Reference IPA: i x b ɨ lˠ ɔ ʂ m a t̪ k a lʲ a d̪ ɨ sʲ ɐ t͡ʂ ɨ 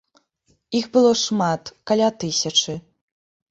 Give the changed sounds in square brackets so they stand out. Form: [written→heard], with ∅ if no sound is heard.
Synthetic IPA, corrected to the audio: i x b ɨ lˠ ɔ ʂ m a t̪ k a lʲ a [d̪→t̪] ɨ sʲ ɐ t͡ʂ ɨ